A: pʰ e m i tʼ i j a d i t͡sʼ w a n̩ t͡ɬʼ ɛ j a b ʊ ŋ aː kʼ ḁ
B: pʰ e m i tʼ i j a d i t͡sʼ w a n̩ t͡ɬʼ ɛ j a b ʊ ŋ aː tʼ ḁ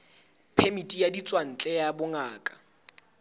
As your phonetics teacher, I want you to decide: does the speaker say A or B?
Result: A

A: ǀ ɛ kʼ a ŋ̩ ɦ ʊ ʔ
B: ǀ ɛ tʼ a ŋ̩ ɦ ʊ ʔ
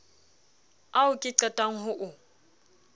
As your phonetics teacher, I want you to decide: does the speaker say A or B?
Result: B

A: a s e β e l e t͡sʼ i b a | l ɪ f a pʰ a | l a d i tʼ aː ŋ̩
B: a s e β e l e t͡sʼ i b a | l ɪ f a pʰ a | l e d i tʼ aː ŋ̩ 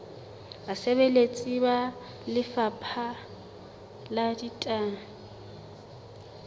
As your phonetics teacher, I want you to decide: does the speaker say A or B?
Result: A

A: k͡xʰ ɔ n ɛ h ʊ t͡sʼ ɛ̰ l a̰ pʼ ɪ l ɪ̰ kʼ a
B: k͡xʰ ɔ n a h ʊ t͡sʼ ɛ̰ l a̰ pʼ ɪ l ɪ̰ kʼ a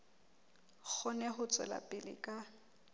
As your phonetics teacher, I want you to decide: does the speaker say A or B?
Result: A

